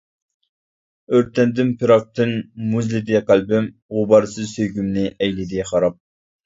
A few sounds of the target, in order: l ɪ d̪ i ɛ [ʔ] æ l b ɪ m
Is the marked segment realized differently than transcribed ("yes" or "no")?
yes